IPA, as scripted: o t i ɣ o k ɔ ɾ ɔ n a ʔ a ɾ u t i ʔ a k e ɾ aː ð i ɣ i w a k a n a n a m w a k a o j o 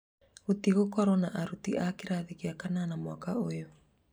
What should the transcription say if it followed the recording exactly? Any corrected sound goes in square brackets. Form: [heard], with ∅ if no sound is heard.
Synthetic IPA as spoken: o t i ɣ o k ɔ ɾ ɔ n a ʔ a ɾ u t i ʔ a k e ɾ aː ð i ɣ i [∅] a k a n a n a m w a k a o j o